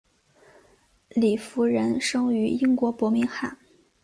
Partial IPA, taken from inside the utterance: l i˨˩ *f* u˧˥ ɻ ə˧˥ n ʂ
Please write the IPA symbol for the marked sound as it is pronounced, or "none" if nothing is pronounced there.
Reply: f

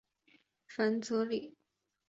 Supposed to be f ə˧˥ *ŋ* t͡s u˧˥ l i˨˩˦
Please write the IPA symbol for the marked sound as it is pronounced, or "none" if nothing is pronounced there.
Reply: n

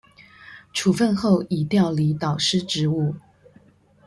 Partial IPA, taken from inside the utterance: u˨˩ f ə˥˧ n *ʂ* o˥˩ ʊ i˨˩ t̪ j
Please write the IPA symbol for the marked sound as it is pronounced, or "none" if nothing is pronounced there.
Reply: x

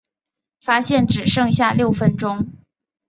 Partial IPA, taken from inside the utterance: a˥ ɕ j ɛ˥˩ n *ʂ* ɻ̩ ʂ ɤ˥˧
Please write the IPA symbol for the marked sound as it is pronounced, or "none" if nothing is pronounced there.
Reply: ʈ͡ʂ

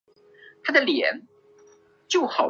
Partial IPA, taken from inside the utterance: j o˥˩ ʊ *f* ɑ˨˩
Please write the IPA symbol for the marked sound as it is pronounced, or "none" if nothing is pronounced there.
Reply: x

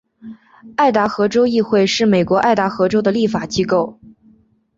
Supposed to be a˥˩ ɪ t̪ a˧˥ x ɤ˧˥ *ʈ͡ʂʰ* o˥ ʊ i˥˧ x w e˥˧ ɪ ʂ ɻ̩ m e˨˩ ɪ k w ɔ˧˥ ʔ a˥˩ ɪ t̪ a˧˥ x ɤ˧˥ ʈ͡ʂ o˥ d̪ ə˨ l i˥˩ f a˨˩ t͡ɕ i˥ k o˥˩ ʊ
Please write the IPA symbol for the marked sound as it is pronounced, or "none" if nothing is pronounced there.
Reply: ʈ͡ʂ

